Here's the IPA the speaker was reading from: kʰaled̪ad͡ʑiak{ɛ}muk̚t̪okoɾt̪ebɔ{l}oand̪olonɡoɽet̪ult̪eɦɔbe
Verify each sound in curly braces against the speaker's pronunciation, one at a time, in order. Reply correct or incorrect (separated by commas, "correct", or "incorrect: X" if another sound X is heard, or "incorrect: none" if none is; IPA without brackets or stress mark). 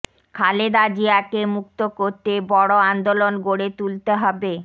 incorrect: e, incorrect: ɽ